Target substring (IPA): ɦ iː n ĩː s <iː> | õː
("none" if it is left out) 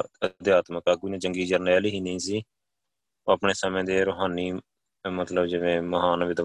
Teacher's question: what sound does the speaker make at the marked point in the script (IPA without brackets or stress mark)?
iː